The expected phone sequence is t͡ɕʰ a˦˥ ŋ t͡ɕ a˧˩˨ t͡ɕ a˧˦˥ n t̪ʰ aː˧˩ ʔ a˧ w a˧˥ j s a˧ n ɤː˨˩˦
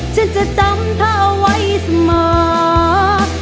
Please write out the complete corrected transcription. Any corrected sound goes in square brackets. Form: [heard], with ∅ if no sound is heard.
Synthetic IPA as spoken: t͡ɕʰ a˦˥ [n] t͡ɕ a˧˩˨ t͡ɕ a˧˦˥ [m] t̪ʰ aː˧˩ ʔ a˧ w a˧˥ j s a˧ [m] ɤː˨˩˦